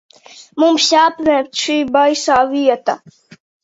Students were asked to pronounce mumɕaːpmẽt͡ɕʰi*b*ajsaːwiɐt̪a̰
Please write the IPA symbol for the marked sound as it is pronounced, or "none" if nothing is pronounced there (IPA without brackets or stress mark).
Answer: b